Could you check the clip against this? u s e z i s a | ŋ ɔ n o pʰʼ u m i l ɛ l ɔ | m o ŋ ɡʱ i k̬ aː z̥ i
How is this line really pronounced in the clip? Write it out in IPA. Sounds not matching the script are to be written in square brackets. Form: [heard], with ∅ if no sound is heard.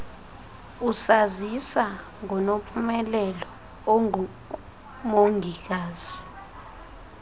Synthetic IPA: u s [a] z i s a | ŋ ɔ n o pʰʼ u m [ɛ] l ɛ l ɔ | m o ŋ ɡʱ i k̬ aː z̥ i